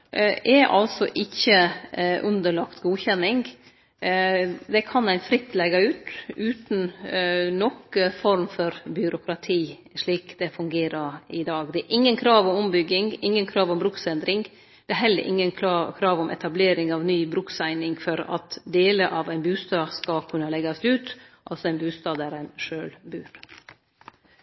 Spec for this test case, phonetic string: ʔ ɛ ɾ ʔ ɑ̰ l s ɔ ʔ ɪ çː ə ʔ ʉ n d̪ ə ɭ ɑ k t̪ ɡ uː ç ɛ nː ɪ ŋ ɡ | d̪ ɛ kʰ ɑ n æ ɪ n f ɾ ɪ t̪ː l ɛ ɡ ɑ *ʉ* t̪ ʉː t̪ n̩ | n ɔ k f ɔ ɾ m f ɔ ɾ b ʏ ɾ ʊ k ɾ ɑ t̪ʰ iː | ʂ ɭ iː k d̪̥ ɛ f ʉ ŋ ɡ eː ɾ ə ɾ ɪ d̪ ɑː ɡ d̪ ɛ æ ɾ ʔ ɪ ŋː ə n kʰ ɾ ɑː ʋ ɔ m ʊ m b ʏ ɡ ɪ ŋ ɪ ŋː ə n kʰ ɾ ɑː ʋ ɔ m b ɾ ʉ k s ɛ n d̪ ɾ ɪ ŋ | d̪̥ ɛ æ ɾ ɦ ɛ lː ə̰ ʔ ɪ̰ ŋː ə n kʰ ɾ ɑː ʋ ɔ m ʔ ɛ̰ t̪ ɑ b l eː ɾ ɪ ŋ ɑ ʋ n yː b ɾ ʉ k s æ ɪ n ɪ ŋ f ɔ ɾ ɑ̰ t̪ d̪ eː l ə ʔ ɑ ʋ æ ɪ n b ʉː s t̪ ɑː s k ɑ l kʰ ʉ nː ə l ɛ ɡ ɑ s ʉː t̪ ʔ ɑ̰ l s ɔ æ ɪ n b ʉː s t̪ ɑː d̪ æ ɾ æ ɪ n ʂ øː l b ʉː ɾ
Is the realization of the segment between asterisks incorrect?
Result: yes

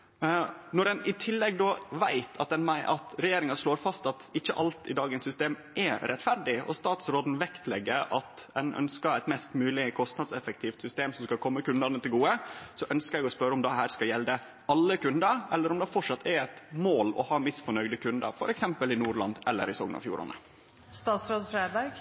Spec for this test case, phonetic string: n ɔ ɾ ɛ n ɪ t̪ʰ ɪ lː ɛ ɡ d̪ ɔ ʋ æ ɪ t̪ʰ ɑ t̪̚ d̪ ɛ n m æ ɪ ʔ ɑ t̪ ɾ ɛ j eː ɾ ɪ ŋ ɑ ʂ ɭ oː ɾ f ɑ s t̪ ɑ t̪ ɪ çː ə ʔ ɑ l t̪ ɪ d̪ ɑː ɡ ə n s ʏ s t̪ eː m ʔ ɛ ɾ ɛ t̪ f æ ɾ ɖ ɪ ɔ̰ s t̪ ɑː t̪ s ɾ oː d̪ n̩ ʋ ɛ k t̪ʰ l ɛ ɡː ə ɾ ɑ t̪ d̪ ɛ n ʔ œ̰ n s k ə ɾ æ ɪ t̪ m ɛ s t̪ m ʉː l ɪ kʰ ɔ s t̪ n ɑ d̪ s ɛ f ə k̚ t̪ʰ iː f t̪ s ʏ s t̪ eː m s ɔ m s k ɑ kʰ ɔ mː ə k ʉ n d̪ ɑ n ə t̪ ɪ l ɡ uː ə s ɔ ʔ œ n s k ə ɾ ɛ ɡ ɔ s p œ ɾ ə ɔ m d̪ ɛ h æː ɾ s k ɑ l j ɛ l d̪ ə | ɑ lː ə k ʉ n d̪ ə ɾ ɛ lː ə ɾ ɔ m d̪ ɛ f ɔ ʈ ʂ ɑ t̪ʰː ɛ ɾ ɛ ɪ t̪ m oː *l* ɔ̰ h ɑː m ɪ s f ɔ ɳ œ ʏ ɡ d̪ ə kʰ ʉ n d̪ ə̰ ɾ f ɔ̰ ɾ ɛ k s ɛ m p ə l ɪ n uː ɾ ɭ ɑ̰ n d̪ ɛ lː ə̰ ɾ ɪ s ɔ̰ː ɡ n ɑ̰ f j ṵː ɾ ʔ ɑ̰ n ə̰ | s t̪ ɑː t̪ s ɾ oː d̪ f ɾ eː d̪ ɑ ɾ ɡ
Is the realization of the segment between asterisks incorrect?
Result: no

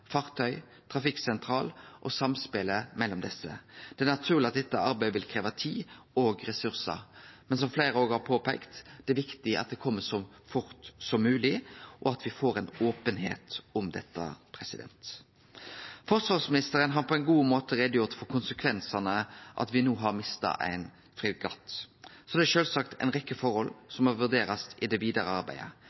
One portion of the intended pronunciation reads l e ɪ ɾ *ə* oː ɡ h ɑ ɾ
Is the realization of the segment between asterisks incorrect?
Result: no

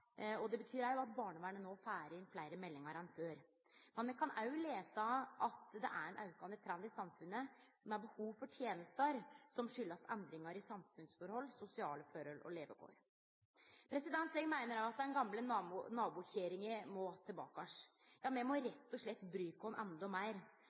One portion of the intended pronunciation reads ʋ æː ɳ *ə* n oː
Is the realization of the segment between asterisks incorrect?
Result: no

